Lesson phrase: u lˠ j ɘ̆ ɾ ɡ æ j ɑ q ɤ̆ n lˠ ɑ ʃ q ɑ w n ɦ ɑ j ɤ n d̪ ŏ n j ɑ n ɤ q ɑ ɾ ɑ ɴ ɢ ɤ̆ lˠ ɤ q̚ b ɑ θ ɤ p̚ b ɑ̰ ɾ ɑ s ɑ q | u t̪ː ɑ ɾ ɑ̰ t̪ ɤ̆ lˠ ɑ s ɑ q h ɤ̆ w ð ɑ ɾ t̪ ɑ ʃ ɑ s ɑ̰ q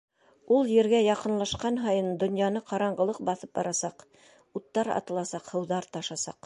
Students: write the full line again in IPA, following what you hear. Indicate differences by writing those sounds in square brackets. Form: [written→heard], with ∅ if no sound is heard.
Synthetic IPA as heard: u lˠ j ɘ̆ ɾ ɡ æ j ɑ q ɤ̆ n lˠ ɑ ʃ q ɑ [w→∅] n ɦ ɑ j ɤ n d̪ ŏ n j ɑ n ɤ q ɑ ɾ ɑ ɴ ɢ ɤ̆ lˠ ɤ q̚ b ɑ θ ɤ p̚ b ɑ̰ ɾ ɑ s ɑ q | u t̪ː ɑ ɾ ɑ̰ t̪ ɤ̆ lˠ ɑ s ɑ q h ɤ̆ w ð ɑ ɾ t̪ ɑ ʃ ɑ s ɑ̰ q

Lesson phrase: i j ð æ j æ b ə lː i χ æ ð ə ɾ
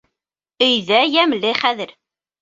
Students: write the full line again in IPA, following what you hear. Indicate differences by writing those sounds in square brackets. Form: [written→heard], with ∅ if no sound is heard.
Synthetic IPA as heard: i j ð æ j æ [b→m] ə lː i χ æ ð ə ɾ

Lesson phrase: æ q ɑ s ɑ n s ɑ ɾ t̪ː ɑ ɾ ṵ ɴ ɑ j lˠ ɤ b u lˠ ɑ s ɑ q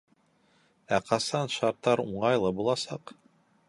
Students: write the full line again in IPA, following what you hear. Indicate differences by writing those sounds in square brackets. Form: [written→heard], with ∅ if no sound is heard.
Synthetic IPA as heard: æ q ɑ s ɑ n [s→ʃ] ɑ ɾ t̪ː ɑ ɾ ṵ ɴ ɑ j lˠ ɤ b u lˠ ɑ s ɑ q

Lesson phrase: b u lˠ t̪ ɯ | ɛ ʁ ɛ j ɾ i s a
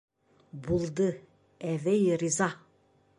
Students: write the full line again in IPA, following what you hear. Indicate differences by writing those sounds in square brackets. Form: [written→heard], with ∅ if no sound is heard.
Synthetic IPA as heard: b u lˠ [t̪→d̪] ɯ | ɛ [ʁ→v] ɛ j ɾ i [s→z] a

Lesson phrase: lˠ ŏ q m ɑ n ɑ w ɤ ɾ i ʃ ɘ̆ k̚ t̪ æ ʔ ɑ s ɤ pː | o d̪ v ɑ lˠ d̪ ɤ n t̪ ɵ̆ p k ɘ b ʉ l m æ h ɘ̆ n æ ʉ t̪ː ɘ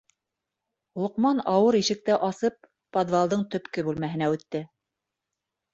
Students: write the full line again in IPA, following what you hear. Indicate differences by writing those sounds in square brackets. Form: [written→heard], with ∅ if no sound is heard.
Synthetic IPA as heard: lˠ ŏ q m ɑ n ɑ w ɤ ɾ i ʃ ɘ̆ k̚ t̪ æ ʔ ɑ s ɤ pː | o d̪ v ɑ lˠ d̪ ɤ [n→ɴ] t̪ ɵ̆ p k ɘ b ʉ l m æ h ɘ̆ n æ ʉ t̪ː ɘ

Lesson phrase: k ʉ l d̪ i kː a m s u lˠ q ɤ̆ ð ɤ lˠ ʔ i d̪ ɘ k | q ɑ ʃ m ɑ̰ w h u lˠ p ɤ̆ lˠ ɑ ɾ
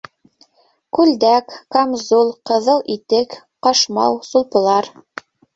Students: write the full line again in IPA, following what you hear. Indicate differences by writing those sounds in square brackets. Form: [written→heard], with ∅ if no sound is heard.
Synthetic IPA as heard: k ʉ l d̪ [i→æ] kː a m [s→z] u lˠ q ɤ̆ ð ɤ lˠ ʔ i [d̪→t̪] ɘ k | q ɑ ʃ m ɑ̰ w [h→s] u lˠ p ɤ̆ lˠ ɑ ɾ

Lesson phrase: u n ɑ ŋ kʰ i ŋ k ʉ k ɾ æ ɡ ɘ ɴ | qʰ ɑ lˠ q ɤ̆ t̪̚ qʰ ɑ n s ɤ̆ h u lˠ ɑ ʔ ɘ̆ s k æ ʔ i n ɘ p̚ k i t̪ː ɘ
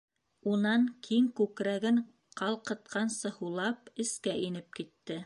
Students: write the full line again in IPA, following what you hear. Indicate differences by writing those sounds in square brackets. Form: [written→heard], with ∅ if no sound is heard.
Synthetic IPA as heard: u n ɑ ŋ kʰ i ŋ k ʉ k ɾ æ ɡ ɘ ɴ | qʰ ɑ lˠ q ɤ̆ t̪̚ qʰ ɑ n s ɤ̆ h u lˠ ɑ [ʔ→p] ɘ̆ s k æ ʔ i n ɘ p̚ k i t̪ː ɘ

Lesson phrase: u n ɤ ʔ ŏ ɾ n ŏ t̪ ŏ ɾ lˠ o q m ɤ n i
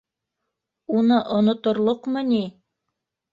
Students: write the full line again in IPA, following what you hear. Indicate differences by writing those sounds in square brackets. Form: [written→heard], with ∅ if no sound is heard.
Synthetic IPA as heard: u n ɤ ʔ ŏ [ɾ→∅] n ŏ t̪ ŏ ɾ lˠ o q m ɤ n i

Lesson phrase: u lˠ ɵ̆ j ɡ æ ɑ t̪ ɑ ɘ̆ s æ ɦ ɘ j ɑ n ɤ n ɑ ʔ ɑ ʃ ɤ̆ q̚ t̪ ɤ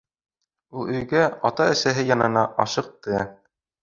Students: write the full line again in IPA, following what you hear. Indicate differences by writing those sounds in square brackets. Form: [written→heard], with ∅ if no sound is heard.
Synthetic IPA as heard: u lˠ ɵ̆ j ɡ æ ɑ t̪ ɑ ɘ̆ s æ ɦ ɘ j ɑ n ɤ n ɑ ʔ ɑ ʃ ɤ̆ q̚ t̪ ɤ

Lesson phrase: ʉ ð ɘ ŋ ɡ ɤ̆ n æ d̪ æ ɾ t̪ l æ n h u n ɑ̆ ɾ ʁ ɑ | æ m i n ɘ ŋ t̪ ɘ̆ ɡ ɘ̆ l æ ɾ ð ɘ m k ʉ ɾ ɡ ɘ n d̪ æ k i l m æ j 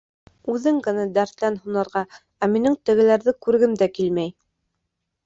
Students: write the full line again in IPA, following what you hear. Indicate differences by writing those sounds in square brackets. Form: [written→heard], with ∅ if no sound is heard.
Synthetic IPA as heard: ʉ ð ɘ ŋ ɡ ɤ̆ n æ d̪ æ ɾ t̪ l æ n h u n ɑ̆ ɾ ʁ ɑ | æ m i n ɘ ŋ t̪ ɘ̆ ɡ ɘ̆ l æ ɾ ð ɘ [m→∅] k ʉ ɾ ɡ ɘ [n→m] d̪ æ k i l m æ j

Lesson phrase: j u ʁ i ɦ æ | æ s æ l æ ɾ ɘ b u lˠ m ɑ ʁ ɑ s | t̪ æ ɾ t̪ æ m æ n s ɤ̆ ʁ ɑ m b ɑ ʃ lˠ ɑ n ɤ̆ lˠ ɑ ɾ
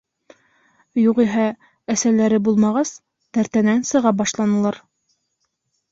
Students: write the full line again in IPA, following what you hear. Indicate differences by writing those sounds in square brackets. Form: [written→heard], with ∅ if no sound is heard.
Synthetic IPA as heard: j u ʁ i ɦ æ | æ s æ l æ ɾ ɘ b u lˠ m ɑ ʁ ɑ s | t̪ æ ɾ t̪ æ [m→n] æ n s ɤ̆ ʁ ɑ [m→∅] b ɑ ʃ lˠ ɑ n ɤ̆ lˠ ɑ ɾ

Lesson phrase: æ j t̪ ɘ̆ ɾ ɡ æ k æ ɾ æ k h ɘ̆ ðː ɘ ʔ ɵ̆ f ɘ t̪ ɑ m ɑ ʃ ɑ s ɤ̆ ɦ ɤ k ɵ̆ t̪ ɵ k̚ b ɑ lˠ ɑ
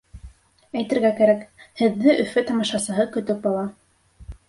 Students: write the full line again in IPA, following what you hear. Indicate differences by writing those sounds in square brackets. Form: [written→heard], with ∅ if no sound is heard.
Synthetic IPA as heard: æ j t̪ ɘ̆ ɾ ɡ æ k æ ɾ æ k h ɘ̆ ðː ɘ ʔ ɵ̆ f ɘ t̪ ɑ m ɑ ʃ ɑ s ɤ̆ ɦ ɤ k ɵ̆ t̪ ɵ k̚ b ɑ lˠ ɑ

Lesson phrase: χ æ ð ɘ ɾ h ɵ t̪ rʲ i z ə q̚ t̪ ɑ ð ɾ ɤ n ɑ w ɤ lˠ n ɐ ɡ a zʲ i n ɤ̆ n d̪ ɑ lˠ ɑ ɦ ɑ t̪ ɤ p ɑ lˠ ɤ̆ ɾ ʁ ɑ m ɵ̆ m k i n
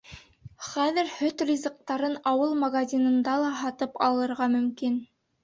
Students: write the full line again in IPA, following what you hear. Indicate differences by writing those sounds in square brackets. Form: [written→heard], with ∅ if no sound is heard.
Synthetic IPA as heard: χ æ ð ɘ ɾ h ɵ t̪ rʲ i z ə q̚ t̪ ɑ [ð→∅] ɾ ɤ n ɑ w ɤ lˠ [n→m] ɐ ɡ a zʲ i n ɤ̆ n d̪ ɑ lˠ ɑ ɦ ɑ t̪ ɤ p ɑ lˠ ɤ̆ ɾ ʁ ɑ m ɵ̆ m k i n

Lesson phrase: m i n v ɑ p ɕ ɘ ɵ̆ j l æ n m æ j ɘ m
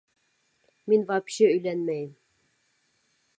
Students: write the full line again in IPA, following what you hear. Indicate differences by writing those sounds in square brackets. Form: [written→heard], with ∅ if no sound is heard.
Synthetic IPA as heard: m i n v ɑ p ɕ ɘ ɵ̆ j l æ n m æ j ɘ m

